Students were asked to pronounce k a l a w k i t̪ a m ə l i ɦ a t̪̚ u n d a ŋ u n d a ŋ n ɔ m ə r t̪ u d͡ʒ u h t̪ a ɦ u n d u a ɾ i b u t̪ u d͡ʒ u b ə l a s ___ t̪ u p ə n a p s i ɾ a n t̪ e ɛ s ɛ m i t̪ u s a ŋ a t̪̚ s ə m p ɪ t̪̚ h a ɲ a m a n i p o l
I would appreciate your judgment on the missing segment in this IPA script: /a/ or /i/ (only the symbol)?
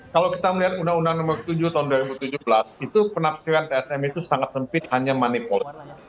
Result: i